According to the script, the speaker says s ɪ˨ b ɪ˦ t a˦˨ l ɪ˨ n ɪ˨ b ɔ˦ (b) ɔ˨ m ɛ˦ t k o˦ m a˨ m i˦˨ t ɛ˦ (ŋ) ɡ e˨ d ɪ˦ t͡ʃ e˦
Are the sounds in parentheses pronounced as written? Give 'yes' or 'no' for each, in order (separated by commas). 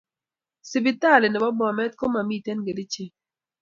yes, no